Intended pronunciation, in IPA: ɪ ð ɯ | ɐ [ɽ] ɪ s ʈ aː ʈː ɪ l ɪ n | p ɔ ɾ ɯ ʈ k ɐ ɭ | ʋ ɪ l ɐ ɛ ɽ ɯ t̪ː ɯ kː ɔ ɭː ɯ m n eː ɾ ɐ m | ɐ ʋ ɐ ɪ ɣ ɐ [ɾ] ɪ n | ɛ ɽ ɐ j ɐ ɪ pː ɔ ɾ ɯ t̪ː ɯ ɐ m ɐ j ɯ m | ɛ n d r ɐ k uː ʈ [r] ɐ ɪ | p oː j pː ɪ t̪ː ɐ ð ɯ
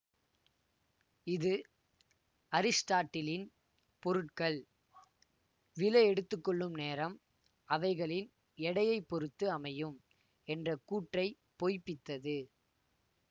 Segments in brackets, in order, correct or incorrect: incorrect: ɾ, incorrect: ɭ, correct

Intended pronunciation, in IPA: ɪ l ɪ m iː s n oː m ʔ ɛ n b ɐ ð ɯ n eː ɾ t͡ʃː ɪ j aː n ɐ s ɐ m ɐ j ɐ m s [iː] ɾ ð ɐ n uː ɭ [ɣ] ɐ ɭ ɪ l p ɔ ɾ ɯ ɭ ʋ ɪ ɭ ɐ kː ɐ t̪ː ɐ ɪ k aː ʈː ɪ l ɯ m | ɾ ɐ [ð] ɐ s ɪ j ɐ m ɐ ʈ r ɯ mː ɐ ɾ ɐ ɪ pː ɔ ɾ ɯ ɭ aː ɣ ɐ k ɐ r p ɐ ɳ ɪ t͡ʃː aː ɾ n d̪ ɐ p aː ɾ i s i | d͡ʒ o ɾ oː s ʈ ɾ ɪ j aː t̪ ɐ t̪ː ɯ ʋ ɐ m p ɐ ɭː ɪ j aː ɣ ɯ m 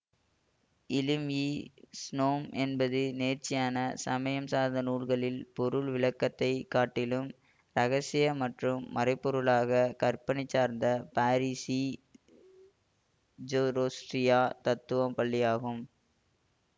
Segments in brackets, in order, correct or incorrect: incorrect: aː, correct, incorrect: ɣ

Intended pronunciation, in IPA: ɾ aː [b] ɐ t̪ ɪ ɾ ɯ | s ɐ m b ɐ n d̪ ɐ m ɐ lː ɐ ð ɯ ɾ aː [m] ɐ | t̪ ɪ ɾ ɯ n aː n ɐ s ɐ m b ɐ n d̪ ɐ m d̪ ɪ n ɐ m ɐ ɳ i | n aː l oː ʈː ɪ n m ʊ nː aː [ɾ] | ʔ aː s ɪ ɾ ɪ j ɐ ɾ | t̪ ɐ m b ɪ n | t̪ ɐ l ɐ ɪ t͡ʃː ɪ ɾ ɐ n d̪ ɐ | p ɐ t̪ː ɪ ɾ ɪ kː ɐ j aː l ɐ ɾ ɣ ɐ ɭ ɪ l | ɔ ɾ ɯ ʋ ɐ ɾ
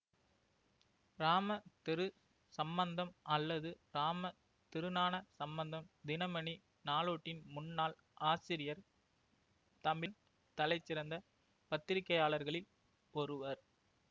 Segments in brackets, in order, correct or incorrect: incorrect: m, correct, incorrect: l

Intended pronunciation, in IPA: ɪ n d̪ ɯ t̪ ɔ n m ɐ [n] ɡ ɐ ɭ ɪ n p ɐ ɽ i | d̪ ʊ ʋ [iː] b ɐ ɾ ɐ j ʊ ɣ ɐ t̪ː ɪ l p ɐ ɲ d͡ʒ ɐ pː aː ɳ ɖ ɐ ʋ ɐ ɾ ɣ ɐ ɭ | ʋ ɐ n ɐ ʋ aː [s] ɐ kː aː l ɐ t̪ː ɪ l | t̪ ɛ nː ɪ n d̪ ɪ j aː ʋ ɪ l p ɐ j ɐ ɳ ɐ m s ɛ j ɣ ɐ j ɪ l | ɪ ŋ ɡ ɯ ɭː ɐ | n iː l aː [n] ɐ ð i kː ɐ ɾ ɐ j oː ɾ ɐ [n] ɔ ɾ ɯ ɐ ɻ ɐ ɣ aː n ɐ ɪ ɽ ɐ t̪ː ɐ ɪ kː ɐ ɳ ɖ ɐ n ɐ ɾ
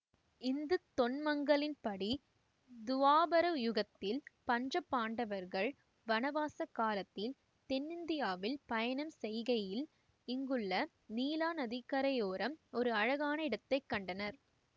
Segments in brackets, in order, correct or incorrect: incorrect: ŋ, incorrect: aː, correct, correct, incorrect: m

